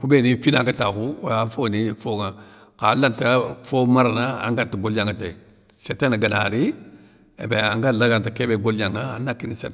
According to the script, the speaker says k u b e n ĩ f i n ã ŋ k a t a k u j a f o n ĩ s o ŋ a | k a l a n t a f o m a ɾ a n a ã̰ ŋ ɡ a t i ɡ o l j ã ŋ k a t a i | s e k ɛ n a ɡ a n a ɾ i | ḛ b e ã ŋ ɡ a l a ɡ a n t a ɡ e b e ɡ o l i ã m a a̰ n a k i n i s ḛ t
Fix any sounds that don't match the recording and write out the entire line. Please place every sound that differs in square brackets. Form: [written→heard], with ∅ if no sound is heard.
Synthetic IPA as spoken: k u b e n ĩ f i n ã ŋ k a t a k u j a f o n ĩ [s→f] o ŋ a | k a l a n t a f o m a ɾ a n a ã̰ ŋ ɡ a t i ɡ o l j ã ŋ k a t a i | s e [k→t] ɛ n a ɡ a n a ɾ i | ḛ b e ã ŋ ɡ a l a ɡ a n t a [ɡ→k] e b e ɡ o l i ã [m→ŋ] a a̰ n a k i n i s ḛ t